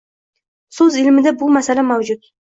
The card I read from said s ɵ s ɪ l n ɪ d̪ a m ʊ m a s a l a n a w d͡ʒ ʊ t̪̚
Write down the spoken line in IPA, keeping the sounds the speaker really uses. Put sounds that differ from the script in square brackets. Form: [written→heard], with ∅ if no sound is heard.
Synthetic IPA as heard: s ɵ [s→z] ɪ l [n→m] ɪ d̪ a [m→b] ʊ m a s a l a [n→m] a w d͡ʒ ʊ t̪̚